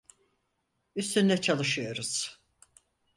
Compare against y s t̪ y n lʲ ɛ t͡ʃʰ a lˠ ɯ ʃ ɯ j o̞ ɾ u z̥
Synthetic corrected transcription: y s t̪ y n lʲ ɛ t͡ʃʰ a lˠ ɯ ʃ ɯ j o̞ ɾ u z̥